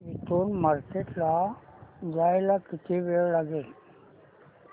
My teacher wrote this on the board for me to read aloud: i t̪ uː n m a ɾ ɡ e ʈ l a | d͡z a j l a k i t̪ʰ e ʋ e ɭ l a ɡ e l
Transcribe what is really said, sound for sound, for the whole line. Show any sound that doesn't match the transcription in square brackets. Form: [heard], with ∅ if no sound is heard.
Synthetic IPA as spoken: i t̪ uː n m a ɾ [k] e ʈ l a | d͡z a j l a k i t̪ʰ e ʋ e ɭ l a ɡ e l